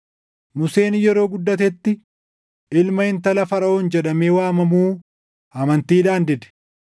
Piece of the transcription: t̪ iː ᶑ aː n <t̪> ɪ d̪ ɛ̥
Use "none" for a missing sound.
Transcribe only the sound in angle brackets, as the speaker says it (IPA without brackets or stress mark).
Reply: d̪